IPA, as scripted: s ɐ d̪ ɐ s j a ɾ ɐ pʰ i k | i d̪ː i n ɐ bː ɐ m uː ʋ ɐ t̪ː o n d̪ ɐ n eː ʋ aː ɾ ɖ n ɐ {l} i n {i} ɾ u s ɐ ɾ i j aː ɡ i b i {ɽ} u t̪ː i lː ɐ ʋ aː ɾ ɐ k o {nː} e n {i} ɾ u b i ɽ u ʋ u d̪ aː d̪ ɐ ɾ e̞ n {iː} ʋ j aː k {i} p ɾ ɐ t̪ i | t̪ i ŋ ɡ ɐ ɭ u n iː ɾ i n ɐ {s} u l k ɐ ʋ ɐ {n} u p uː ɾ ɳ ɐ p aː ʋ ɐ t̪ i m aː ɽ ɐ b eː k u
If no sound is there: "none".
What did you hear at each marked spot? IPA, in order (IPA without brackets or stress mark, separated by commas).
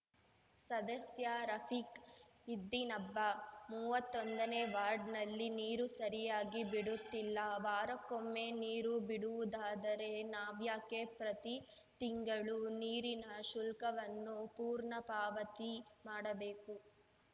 lː, iː, ɽ, mː, iː, aː, e, ʃ, nː